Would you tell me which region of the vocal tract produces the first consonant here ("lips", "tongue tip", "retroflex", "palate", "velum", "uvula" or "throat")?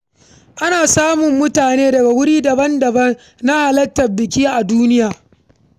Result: throat